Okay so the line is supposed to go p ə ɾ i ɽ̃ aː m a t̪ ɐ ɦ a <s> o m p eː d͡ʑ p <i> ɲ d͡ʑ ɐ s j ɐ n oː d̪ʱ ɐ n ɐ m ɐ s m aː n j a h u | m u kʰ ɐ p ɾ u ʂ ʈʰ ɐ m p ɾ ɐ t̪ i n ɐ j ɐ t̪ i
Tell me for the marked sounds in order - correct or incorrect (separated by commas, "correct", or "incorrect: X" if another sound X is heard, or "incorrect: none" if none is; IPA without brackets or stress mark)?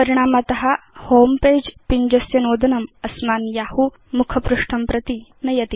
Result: incorrect: h, correct